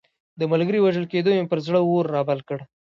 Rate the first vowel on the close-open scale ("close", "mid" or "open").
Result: mid